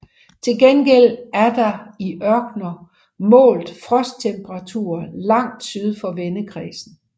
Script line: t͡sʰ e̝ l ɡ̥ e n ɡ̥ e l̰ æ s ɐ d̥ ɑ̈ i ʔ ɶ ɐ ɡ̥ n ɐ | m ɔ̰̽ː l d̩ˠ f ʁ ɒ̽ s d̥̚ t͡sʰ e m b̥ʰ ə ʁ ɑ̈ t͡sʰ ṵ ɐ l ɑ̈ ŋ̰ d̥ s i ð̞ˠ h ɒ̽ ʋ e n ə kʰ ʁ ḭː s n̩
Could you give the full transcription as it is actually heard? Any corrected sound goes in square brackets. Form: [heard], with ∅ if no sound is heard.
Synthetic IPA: t͡sʰ e̝ l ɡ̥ e n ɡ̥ e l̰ æ [∅] ɐ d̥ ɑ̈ i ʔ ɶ ɐ ɡ̥ n ɐ | m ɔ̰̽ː l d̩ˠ f ʁ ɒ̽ s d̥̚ t͡sʰ e m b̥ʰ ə ʁ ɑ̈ t͡sʰ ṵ ɐ l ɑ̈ ŋ̰ d̥ s [y] ð̞ˠ [f] ɒ̽ ʋ e n ə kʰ ʁ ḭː s n̩